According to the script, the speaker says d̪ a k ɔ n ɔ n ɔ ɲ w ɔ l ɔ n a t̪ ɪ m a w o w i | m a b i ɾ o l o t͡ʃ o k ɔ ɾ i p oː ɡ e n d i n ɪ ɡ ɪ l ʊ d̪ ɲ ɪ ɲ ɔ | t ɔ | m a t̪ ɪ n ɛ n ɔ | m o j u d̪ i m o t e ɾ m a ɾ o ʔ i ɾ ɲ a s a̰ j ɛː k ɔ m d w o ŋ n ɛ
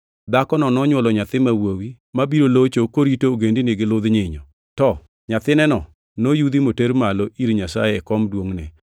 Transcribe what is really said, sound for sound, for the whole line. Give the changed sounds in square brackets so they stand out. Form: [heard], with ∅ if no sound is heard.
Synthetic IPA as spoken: d̪ a k ɔ n ɔ n ɔ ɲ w ɔ l ɔ [ɲ] a t̪ ɪ m a w o w i | m a b i ɾ o l o t͡ʃ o k [o] ɾ i [t] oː ɡ e n d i n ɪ ɡ ɪ l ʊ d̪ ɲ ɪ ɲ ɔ | t ɔ | [ɲ] a t̪ ɪ n ɛ n ɔ | [n] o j u d̪ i m o t e ɾ m a [l] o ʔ i ɾ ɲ a s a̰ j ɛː k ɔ m d w o ŋ n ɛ